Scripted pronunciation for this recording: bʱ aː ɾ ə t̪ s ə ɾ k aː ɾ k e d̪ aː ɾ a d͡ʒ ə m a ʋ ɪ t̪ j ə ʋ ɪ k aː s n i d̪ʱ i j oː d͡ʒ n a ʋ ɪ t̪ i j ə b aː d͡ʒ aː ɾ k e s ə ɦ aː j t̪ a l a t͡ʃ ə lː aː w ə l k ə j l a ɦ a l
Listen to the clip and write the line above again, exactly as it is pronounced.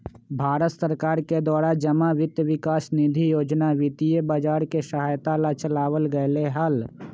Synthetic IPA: bʱ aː ɾ ə t̪ s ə ɾ k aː ɾ k e d̪ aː ɾ a d͡ʒ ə m a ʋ ɪ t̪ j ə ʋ ɪ k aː s n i d̪ʱ i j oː d͡ʒ n a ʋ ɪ t̪ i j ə b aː d͡ʒ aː ɾ k e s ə ɦ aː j t̪ a l a t͡ʃ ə l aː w ə l ɡ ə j l e ɦ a l